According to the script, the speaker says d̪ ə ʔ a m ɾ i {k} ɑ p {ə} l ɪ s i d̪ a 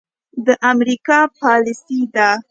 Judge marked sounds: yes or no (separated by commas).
yes, no